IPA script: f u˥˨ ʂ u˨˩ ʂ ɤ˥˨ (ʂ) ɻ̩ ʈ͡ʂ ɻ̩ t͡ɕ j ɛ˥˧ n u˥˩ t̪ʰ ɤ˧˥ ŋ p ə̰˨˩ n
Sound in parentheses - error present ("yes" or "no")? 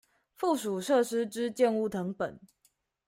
no